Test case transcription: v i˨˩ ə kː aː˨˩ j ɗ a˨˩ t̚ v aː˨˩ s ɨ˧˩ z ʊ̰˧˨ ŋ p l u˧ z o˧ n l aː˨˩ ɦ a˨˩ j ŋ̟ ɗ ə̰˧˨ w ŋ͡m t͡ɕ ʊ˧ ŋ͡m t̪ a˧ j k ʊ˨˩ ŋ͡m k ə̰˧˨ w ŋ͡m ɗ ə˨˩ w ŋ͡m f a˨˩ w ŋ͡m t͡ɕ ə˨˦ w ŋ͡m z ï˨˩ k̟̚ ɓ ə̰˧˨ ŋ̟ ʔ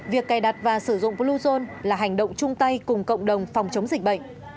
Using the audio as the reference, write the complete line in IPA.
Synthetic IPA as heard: v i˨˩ ə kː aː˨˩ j ɗ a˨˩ t̚ v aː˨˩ s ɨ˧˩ z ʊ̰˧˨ ŋ͡m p l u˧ z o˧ n l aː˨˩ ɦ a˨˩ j ŋ̟ ɗ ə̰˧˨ w ŋ͡m t͡ɕ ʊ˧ ŋ͡m t̪ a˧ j k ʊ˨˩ ŋ͡m k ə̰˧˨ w ŋ͡m ɗ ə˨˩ w ŋ͡m f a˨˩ w ŋ͡m t͡ɕ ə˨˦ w ŋ͡m z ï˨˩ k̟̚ ɓ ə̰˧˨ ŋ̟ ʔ